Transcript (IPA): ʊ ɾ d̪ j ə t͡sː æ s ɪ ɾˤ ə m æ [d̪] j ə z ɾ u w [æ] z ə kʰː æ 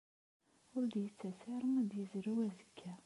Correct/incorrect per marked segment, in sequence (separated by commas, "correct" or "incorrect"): correct, correct